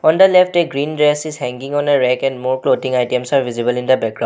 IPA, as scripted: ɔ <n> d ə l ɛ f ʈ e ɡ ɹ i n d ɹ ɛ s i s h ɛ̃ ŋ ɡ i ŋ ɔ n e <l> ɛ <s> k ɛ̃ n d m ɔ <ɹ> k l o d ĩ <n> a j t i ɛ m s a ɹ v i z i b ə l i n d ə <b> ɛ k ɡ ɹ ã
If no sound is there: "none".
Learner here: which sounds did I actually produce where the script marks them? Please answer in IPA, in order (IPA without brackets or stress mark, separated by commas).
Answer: n, ɹ, none, ɹ, ŋ, b